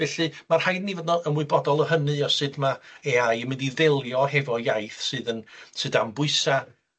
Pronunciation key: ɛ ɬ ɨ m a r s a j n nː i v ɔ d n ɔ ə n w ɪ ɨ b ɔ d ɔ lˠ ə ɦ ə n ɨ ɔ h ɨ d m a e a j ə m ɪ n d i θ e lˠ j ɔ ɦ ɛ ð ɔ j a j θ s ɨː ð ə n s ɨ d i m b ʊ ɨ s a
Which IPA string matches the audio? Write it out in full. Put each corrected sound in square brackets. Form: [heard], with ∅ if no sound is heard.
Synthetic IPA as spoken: ɛ ɬ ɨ m a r [h] a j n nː i v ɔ d n ɔ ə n w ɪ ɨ b ɔ d ɔ lˠ ə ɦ ə n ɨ ɔ [s] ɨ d m a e a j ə m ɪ n d i [ð] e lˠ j ɔ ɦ ɛ [v] ɔ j a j θ s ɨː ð ə n s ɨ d [a] m b ʊ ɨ s a